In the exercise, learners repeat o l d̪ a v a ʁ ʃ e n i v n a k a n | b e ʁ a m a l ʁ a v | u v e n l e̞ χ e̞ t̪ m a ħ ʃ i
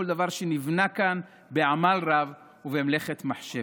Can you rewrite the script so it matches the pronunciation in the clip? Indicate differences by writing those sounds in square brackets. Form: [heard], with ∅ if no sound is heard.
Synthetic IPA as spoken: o l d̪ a v a ʁ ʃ e n i v n a k a n | b e [ʕ] a m a l ʁ a v | u v e [m] l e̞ χ e̞ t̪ m a ħ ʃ [e]